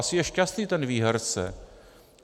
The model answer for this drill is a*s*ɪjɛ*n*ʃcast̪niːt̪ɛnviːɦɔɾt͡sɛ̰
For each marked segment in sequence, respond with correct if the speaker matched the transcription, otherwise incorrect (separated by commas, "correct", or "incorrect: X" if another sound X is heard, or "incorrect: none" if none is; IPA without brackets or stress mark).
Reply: correct, incorrect: none